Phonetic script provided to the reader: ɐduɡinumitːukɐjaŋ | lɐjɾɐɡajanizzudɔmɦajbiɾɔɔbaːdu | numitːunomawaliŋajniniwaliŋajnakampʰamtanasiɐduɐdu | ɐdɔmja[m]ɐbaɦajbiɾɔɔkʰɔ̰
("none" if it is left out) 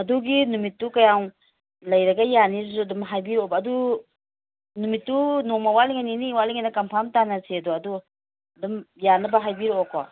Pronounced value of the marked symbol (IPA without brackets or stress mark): n